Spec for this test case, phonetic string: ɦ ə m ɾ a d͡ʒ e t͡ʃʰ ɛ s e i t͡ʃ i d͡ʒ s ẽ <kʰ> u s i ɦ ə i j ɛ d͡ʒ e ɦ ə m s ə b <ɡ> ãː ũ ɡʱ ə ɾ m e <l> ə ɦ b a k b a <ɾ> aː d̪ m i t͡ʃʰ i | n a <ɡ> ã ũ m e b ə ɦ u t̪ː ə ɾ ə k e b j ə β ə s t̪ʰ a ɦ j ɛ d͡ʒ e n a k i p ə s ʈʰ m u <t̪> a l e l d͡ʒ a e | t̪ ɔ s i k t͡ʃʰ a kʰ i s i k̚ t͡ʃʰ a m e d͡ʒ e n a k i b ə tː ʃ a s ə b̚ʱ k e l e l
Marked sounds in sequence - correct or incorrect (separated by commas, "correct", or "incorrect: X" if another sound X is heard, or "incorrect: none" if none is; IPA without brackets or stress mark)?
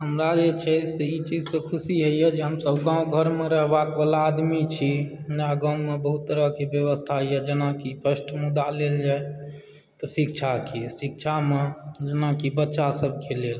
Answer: correct, correct, incorrect: ɾ, incorrect: l, correct, incorrect: d̪